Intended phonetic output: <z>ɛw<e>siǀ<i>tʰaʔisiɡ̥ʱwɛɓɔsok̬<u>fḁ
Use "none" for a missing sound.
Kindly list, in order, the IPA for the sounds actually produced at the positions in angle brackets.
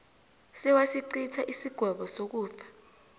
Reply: s, a, i, uː

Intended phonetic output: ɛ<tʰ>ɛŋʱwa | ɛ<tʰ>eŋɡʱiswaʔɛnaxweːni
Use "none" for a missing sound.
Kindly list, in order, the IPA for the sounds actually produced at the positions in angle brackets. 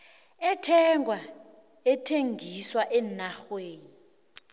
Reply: tʰ, tʰ

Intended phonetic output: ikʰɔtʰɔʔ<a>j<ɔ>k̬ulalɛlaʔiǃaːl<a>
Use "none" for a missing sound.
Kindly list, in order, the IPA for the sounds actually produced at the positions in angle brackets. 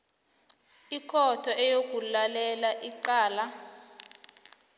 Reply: ɛ, o, a

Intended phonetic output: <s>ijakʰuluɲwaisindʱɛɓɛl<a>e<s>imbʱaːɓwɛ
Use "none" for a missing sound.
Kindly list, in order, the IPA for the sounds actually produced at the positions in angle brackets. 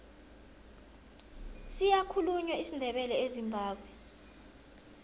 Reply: s, ɛ, z

